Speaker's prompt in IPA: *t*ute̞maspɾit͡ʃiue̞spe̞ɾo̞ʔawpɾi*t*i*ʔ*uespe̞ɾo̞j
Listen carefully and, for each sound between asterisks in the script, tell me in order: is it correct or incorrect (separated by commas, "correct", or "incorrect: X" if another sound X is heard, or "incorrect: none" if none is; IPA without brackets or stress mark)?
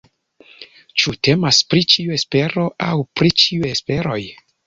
incorrect: t͡ʃ, incorrect: t͡ʃ, incorrect: none